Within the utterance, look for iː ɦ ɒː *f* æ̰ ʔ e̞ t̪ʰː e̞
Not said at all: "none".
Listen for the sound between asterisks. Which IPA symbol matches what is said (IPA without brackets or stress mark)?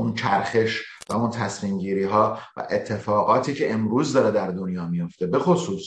v